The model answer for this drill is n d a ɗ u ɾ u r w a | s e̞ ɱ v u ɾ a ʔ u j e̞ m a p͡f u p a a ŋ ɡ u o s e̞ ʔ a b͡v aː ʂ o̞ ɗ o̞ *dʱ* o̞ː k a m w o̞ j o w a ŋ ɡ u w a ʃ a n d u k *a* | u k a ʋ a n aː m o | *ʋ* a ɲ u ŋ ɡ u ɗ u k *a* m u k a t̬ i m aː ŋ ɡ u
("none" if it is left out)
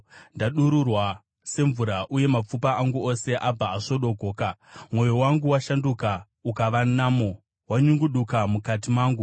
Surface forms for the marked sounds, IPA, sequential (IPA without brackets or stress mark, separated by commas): ɡʱ, a, w, a